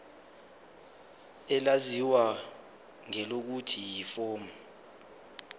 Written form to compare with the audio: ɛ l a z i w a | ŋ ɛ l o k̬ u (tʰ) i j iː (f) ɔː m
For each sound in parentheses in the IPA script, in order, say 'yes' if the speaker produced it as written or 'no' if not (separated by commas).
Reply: yes, yes